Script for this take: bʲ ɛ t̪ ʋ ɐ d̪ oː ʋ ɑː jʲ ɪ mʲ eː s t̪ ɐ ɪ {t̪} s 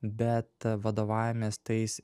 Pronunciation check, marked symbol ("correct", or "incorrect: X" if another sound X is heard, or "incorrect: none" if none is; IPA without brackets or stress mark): incorrect: none